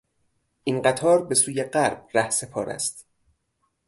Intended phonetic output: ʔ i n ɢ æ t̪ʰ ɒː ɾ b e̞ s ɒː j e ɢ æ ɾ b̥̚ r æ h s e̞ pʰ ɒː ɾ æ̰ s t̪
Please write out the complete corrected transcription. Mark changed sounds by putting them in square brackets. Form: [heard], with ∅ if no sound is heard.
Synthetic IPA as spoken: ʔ i n ɢ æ t̪ʰ ɒː ɾ b e̞ s [uː] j e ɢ æ ɾ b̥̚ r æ h s e̞ pʰ ɒː ɾ æ̰ s t̪